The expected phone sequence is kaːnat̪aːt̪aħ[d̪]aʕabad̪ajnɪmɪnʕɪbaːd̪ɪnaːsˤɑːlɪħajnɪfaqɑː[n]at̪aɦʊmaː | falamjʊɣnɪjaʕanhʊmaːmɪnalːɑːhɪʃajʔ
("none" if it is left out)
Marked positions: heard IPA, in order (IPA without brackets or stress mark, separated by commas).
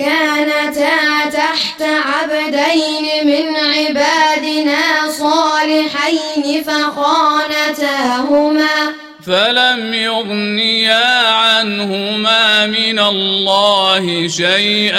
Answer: t̪, n